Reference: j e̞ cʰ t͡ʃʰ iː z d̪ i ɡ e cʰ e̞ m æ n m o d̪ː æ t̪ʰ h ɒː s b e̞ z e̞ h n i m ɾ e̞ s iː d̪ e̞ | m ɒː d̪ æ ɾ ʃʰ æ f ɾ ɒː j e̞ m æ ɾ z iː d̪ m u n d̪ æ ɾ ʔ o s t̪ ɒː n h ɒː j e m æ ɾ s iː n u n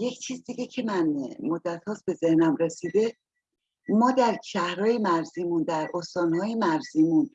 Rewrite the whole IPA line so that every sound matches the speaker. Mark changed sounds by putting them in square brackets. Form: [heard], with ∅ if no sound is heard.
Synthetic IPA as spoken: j e̞ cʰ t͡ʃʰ iː z d̪ i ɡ e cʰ e̞ m æ n m o d̪ː æ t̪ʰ h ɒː s b e̞ z e̞ h n [æ] m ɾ e̞ s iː d̪ e̞ | m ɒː d̪ æ ɾ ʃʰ æ [h] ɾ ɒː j e̞ m æ ɾ z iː [∅] m u n d̪ æ ɾ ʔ o s t̪ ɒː n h ɒː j e m æ ɾ [z] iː [m] u n